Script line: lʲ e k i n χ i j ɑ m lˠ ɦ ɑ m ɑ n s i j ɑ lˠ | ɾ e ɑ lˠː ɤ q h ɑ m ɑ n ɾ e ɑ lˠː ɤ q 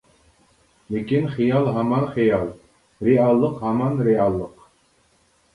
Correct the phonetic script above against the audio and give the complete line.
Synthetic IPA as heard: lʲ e k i n χ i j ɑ lˠ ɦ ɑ m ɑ n χ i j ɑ lˠ | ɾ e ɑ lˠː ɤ q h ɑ m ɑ n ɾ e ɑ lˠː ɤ q